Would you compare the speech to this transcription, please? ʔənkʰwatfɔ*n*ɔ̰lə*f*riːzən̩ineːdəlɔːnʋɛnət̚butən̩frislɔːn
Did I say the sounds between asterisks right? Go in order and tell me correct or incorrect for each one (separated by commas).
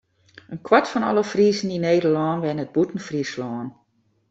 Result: correct, correct